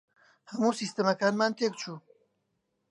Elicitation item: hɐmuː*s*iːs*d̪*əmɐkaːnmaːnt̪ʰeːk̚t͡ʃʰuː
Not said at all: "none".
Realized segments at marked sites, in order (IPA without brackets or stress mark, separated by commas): s, t̪